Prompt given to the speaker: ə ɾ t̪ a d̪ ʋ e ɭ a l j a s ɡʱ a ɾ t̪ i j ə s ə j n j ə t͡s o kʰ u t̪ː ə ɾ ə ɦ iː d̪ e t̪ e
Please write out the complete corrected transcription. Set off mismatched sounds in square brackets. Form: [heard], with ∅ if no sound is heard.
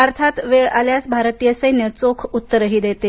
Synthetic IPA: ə ɾ [t̪ʰ] a [t̪] ʋ e ɭ a l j a s [bʱ] a ɾ t̪ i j ə s ə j n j ə t͡s o kʰ u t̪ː ə ɾ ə ɦ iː d̪ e t̪ e